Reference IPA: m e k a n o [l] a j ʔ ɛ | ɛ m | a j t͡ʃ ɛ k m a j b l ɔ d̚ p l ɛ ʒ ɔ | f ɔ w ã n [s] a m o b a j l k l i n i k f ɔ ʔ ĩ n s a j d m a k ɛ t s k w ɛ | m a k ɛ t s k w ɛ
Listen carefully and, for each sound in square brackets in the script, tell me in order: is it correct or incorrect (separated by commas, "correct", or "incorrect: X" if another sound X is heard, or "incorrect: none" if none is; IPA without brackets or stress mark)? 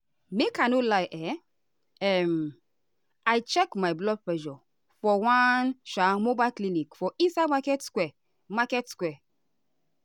correct, incorrect: ʃ